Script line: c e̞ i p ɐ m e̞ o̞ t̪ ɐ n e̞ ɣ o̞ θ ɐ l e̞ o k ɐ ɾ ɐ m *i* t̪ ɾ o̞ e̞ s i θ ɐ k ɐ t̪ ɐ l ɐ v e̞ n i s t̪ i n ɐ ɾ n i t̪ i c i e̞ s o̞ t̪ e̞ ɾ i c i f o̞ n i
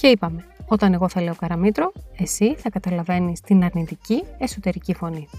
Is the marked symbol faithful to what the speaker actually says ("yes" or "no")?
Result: yes